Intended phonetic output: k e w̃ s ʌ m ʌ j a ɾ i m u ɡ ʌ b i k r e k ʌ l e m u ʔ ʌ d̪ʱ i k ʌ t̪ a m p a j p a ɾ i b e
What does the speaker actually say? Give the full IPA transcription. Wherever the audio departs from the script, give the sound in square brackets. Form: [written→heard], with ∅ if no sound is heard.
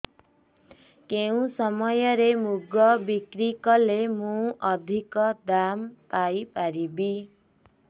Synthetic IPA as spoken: k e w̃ s ʌ m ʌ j [a→ʌ] ɾ [i→e] m u ɡ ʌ b i k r [e→i] k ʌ l e m u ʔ ʌ d̪ʱ i k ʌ [t̪→d̪] a m p a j p a ɾ i b [e→i]

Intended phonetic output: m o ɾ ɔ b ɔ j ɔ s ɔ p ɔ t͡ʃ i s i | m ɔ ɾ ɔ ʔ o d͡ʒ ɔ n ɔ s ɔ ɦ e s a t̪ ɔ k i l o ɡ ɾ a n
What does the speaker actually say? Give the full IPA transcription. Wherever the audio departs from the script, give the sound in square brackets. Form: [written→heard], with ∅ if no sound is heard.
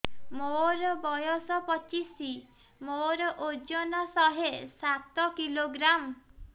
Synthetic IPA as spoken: m o ɾ ɔ b ɔ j ɔ s ɔ p ɔ t͡ʃ i s i | m [ɔ→o] ɾ ɔ ʔ o d͡ʒ ɔ n ɔ s ɔ ɦ e s a t̪ ɔ k i l o ɡ ɾ a [n→m]

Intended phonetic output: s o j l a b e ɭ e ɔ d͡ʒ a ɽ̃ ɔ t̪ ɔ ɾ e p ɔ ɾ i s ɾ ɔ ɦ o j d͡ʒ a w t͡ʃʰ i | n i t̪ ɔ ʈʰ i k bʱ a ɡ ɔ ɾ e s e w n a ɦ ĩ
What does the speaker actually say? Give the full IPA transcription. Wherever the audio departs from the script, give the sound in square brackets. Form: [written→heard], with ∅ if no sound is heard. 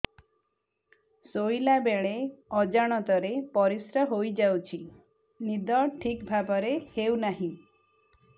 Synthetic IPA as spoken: s o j l a b e ɭ e ɔ d͡ʒ a ɽ̃ ɔ t̪ ɔ ɾ e p ɔ ɾ i s ɾ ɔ ɦ o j d͡ʒ a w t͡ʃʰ i | n i [t̪→d̪] ɔ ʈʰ i k bʱ a [ɡ→b] ɔ ɾ e [s→h] e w n a ɦ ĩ

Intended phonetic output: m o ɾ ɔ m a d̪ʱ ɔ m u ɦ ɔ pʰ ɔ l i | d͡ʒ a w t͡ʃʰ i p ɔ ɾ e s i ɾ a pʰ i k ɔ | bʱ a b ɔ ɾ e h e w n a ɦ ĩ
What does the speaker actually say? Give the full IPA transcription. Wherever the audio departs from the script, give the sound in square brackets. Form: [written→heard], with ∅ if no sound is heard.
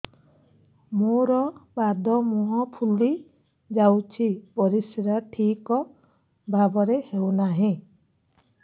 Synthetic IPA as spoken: m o ɾ ɔ [m→b] a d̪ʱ ɔ m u ɦ ɔ pʰ [ɔ→u] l i | d͡ʒ a w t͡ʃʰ i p ɔ ɾ [e→i] s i ɾ a [pʰ→ʈʰ] i k ɔ | bʱ a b ɔ ɾ e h e w n a ɦ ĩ

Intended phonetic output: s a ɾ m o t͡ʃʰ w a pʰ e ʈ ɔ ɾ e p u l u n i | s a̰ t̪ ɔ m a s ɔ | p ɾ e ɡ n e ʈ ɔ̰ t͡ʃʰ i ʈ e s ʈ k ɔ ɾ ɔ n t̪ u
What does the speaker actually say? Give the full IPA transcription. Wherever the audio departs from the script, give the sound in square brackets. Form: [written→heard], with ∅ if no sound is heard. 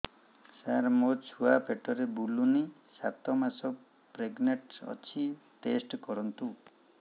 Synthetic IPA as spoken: s a ɾ m o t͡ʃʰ [w→u] a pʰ e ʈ ɔ ɾ e [p→b] u l u n i | s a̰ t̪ ɔ m a s ɔ | p ɾ e ɡ n e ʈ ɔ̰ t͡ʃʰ i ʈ e s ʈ k ɔ ɾ ɔ n t̪ u

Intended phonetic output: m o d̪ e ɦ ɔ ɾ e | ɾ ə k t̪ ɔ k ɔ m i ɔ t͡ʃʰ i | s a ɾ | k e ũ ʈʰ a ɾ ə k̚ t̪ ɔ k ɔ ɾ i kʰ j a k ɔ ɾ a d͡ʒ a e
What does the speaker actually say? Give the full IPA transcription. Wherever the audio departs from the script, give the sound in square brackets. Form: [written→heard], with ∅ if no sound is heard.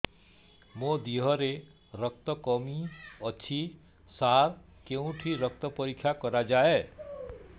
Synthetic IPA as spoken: m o d̪ [e→i] ɦ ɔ ɾ e | ɾ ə k t̪ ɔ k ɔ m i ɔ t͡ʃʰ i | s a ɾ | k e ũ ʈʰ [a→i] ɾ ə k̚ t̪ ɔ [k→p] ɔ ɾ i kʰ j a k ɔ ɾ a d͡ʒ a e

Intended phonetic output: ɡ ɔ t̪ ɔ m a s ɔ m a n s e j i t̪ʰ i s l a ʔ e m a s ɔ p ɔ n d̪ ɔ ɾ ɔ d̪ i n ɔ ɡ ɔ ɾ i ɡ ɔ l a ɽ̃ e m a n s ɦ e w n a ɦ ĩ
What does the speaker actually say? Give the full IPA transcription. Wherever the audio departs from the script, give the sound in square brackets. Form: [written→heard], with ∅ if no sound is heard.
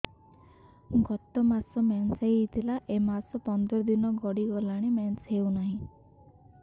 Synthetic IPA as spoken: ɡ ɔ t̪ ɔ m a s ɔ m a n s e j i t̪ʰ i [s→∅] l a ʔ e m a s ɔ p ɔ n d̪ ɔ ɾ ɔ d̪ i n ɔ ɡ ɔ [ɾ→ɽ] i ɡ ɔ l a ɽ̃ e m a n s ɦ e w n a ɦ ĩ

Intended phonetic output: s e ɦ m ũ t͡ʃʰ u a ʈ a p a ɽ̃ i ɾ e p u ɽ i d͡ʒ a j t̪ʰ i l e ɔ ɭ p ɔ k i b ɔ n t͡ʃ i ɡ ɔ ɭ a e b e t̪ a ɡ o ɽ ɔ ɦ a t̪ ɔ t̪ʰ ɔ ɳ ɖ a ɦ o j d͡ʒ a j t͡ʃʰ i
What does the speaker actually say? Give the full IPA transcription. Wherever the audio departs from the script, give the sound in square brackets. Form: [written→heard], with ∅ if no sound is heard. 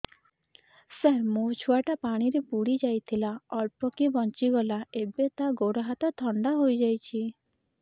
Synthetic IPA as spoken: s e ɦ m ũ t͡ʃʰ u a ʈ a p a ɽ̃ i ɾ e p u ɽ i d͡ʒ a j t̪ʰ i l [e→a] ɔ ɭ p ɔ k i b ɔ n t͡ʃ i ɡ ɔ [ɭ→l] a e b e t̪ a ɡ o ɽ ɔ ɦ a t̪ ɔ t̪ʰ ɔ ɳ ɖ a ɦ o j d͡ʒ a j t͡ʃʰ i

